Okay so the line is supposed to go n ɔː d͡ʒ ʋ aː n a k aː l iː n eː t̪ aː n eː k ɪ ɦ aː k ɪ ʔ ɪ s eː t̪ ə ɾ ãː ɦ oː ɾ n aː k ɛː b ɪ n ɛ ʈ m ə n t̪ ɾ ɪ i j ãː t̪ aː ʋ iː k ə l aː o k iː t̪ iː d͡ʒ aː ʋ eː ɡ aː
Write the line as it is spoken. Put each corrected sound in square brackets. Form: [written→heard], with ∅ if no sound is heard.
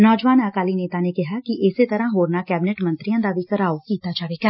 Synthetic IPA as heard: n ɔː d͡ʒ ʋ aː n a k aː l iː n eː t̪ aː n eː k ɪ ɦ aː k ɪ ʔ ɪ s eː t̪ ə ɾ ãː ɦ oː ɾ n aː k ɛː b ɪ n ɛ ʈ m ə n t̪ ɾ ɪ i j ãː [t̪→d̪] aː ʋ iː k ə [l→ɾ] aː o k iː t̪ [iː→aː] d͡ʒ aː ʋ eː ɡ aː